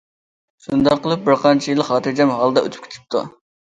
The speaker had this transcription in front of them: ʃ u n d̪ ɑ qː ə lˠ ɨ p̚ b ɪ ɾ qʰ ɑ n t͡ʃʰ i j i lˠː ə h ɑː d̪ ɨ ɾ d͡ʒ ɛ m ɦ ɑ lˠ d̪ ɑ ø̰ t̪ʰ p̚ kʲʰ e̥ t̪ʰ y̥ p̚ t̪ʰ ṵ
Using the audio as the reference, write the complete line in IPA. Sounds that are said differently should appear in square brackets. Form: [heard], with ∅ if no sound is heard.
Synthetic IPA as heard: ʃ u n d̪ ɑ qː ə lˠ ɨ p̚ b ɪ ɾ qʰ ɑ n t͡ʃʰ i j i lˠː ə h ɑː [t̪] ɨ ɾ d͡ʒ ɛ m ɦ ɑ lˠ d̪ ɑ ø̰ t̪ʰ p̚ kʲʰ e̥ t̪ʰ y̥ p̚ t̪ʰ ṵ

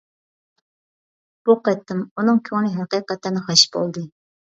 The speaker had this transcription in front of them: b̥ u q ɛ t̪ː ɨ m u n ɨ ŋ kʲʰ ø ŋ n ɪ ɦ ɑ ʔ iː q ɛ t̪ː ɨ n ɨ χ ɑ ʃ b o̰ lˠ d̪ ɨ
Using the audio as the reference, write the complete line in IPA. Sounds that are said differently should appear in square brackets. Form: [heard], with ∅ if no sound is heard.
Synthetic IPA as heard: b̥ u q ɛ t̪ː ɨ m u n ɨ ŋ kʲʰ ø ŋ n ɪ ɦ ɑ [q] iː q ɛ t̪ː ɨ n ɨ χ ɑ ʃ b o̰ lˠ d̪ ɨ

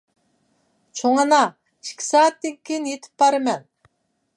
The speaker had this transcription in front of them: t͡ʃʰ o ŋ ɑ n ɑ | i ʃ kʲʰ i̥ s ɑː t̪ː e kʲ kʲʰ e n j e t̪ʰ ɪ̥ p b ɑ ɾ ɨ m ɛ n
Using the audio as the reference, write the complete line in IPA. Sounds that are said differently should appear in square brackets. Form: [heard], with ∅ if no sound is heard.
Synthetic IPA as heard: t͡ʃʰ o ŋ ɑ n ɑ | i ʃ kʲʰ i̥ s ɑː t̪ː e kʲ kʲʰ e n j e t̪ʰ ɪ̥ p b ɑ ɾ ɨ m ɛ n

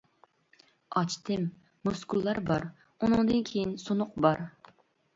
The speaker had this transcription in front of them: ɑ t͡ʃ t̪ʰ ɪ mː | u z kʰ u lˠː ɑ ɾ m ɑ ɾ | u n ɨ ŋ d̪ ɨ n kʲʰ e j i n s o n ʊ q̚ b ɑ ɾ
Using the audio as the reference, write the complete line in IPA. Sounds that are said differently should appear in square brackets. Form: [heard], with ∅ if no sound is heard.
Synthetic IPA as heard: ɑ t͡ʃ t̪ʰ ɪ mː | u [s] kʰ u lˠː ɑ ɾ [b] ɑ ɾ | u n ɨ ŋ d̪ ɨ n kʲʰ e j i n s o n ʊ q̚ b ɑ ɾ

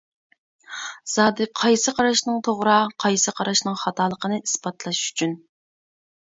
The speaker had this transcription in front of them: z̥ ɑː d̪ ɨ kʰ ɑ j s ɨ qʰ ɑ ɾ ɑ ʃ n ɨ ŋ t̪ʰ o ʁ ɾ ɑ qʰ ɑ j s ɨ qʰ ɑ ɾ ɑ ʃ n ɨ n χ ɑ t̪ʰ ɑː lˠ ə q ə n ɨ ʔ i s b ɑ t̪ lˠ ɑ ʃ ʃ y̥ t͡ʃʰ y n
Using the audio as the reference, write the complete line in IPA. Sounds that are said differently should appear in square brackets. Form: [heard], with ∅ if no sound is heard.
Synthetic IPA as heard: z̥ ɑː d̪ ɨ [qʰ] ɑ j s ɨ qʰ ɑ ɾ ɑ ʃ n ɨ ŋ t̪ʰ o ʁ ɾ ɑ qʰ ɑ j s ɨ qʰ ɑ ɾ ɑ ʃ n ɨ [ŋ] χ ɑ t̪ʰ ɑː lˠ ə q ə n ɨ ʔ i s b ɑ t̪ lˠ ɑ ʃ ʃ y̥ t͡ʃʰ y n

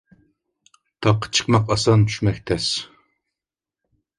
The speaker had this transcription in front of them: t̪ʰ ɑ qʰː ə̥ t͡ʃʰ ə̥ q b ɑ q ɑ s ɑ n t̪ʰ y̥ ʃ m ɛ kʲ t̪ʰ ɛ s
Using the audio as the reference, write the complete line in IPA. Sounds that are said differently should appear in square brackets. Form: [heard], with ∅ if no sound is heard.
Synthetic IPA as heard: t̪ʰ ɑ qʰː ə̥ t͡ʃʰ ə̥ q [m] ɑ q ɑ s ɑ n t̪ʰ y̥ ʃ m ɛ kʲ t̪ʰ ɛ s

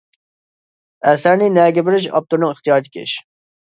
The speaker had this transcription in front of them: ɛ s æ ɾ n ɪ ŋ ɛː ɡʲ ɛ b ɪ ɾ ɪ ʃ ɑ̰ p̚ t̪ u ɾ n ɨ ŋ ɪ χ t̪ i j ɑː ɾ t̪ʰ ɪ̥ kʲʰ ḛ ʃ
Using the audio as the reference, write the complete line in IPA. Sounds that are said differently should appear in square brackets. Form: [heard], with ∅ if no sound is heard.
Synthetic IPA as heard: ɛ s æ ɾ n ɪ [n] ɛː ɡʲ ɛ b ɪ ɾ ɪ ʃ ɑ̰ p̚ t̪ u ɾ n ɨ ŋ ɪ χ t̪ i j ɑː ɾ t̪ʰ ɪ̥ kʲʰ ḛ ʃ

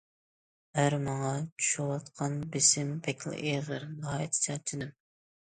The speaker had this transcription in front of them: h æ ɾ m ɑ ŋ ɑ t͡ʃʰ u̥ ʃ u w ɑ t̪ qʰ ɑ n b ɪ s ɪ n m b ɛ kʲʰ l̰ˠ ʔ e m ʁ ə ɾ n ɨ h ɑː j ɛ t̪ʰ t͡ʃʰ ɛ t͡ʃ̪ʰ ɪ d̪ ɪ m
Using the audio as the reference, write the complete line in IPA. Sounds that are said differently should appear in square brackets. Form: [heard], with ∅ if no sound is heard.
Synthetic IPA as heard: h æ ɾ m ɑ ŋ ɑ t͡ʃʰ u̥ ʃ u w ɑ t̪ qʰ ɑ n b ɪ s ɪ [∅] m b ɛ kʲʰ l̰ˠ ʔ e [∅] ʁ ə ɾ n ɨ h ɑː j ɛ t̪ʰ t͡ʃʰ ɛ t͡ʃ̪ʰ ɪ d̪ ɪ m

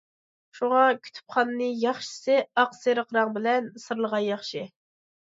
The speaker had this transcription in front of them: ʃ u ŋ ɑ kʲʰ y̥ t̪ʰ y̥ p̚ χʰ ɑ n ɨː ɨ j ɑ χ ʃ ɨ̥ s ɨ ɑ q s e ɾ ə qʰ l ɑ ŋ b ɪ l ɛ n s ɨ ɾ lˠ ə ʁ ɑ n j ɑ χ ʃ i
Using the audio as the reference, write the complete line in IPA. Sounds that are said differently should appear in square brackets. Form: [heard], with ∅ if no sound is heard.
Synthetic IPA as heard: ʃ u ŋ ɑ kʲʰ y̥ t̪ʰ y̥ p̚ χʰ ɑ n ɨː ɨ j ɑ χ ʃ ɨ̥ s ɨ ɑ q s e ɾ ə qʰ [ɾ] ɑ ŋ b ɪ l ɛ n s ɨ ɾ lˠ ə ʁ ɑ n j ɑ χ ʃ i

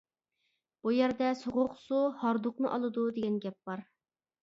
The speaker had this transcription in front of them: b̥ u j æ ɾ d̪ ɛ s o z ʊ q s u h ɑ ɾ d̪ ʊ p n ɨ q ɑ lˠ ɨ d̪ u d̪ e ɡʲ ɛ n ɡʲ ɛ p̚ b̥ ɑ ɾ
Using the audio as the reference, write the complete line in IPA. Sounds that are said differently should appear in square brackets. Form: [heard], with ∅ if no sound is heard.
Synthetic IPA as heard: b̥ u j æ ɾ d̪ ɛ s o [ʁ] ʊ q s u h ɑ ɾ d̪ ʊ [q] n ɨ [ʔ] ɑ lˠ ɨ d̪ u d̪ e ɡʲ ɛ n ɡʲ ɛ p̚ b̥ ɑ ɾ

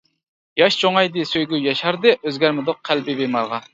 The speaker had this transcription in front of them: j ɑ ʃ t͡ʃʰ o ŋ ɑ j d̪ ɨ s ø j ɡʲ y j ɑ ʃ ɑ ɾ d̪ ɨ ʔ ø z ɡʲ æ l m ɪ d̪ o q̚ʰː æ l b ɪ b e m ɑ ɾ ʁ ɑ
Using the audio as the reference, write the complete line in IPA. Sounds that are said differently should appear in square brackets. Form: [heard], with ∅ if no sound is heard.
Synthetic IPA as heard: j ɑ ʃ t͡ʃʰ o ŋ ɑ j d̪ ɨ s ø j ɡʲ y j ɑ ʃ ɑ ɾ d̪ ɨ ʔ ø z ɡʲ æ [ɾ] m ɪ d̪ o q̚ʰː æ l b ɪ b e m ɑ ɾ ʁ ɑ

